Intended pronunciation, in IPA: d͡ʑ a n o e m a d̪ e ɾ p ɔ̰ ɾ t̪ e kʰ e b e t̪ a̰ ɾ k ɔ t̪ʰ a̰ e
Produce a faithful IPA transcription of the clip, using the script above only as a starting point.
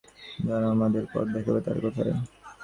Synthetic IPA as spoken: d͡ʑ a n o a m a d̪ e ɾ p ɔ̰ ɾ d̪ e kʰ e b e t̪ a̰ ɾ k ɔ t̪ʰ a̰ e

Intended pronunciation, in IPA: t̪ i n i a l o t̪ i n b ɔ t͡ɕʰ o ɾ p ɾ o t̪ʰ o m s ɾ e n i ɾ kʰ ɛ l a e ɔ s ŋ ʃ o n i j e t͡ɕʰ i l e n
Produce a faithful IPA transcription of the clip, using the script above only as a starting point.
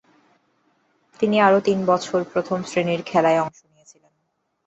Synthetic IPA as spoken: t̪ i n i a ɾ o t̪ i n b ɔ t͡ɕʰ o ɾ p ɾ o t̪ʰ o m s ɾ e n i ɾ kʰ ɛ l a e ɔ ŋ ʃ o n i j e t͡ɕʰ i l e n

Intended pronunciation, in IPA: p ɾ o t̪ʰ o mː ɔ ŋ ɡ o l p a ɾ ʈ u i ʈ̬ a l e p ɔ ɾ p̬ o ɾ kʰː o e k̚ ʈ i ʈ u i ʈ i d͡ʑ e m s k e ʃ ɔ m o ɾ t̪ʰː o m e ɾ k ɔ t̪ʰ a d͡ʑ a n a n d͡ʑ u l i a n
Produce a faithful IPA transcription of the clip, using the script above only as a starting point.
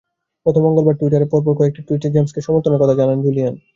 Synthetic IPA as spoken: p ɾ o t̪ʰ o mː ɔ ŋ ɡ o l b a ɾ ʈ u i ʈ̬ a ɾ e p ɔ ɾ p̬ o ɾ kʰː o e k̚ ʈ i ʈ u i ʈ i d͡ʑ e m s k e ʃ ɔ m o ɾ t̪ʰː o n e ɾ k ɔ t̪ʰ a d͡ʑ a n a n d͡ʑ u l i a n

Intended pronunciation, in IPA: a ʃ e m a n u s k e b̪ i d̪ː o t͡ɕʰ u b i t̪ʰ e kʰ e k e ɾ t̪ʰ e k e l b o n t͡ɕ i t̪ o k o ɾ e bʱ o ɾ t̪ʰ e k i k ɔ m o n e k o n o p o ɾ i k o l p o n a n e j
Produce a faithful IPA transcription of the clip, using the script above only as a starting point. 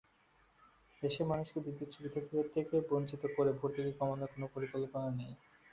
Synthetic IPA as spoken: e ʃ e m a n u ʃ k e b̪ i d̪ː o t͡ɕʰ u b i t̪ʰ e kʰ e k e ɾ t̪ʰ e k e b o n t͡ɕ i t̪ o k o ɾ e bʱ o ɾ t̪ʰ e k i k ɔ m o n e k o n o p o ɾ i k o l p o n a n e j

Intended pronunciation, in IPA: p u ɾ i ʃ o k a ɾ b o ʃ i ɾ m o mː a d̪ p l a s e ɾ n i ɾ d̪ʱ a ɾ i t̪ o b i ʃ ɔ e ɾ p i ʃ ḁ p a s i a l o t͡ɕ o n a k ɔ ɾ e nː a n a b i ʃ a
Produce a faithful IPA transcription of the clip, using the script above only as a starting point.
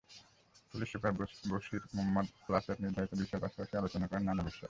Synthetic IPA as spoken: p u l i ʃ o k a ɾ b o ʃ i ɾ m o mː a d̪ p l a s e ɾ n i ɾ d̪ʱ a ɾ i t̪ o b i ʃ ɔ e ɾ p a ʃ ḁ p a ʃ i a l o t͡ɕ o n a k ɔ ɾ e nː a n a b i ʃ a

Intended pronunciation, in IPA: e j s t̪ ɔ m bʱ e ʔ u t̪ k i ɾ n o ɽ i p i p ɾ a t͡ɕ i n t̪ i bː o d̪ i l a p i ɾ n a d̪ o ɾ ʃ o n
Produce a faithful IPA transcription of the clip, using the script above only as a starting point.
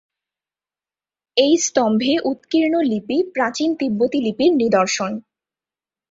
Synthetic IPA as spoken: e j s t̪ ɔ m bʱ e ʔ u t̪ k i ɾ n o l i p i p ɾ a t͡ɕ i n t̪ i bː o t̪ i l i p i ɾ n i d̪ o ɾ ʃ o n

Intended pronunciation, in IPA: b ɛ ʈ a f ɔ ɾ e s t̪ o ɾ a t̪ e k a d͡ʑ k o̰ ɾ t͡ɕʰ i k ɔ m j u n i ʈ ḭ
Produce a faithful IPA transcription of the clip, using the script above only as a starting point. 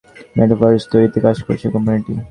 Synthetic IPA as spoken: m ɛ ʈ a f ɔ ɾ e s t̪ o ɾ i t̪ e k a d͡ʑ k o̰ ɾ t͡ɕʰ e k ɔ m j u n i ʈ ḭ

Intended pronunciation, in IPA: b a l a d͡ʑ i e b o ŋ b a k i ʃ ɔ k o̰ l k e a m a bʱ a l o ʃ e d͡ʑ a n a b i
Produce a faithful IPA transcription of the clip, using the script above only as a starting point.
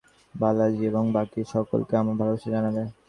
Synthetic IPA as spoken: b a l a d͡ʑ i e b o ŋ b a k i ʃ ɔ k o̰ l k e a m a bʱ a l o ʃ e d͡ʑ a n a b e

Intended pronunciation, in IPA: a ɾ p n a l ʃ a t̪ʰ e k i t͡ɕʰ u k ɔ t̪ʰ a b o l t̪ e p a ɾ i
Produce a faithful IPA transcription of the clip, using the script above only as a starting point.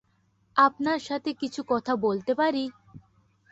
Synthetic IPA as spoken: a p n a ɾ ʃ a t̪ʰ e k i t͡ɕʰ u k ɔ t̪ʰ a b o l t̪ e p a ɾ i

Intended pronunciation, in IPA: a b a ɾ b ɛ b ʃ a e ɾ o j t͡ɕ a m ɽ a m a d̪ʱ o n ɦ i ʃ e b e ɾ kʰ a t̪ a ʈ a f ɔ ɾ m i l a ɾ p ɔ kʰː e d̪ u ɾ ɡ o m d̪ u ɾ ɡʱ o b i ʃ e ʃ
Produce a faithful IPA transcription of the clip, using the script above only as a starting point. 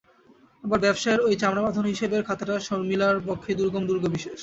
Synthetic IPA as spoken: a b a ɾ b ɛ b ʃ a e ɾ o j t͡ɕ a m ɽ a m a d̪ʱ o n ɦ i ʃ e b e ɾ kʰ a t̪ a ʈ a ʃ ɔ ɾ m i l a ɾ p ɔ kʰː e d̪ u ɾ ɡ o m d̪ u ɾ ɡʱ o b i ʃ e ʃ

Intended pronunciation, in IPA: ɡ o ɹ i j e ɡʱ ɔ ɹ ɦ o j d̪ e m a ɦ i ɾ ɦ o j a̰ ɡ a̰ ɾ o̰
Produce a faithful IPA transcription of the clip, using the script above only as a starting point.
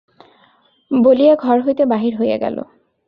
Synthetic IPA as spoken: b o l i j a ɡʱ ɔ ɹ ɦ o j t̪ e b a ɦ i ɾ ɦ o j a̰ ɡ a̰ l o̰

